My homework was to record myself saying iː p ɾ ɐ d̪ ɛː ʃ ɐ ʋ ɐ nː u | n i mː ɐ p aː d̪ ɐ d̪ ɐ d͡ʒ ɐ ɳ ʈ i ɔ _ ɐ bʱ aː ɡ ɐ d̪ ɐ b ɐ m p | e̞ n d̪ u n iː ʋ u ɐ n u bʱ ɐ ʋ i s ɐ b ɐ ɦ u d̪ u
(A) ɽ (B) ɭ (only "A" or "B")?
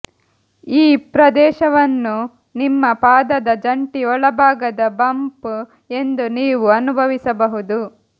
B